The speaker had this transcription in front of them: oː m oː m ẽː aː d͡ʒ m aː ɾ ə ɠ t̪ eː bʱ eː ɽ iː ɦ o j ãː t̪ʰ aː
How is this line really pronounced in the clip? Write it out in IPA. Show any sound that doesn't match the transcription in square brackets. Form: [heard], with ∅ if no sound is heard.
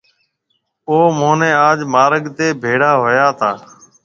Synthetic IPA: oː m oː [n] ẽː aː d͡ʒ m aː ɾ ə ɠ t̪ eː bʱ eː ɽ [aː] ɦ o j [aː] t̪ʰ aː